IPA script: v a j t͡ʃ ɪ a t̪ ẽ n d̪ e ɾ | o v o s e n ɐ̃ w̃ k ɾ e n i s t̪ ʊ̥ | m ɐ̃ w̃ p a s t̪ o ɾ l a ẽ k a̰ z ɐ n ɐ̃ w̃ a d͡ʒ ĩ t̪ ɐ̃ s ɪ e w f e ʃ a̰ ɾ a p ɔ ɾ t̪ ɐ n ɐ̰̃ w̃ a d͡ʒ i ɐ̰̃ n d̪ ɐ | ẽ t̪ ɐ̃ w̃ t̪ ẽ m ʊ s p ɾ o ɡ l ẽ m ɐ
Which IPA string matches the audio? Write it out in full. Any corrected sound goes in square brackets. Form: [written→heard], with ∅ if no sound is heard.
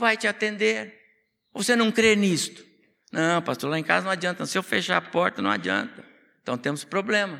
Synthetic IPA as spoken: v a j t͡ʃ ɪ a t̪ ẽ n d̪ e ɾ | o v o s e n ɐ̃ w̃ k ɾ e n i s t̪ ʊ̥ | [m→n] ɐ̃ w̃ p a s t̪ o ɾ l a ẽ k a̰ z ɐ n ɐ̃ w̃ a d͡ʒ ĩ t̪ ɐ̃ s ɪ e w f e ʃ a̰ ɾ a p ɔ ɾ t̪ ɐ n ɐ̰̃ w̃ a d͡ʒ i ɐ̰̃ n [d̪→t̪] ɐ | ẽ t̪ ɐ̃ w̃ t̪ ẽ m ʊ s p ɾ o [ɡ→b] l ẽ m ɐ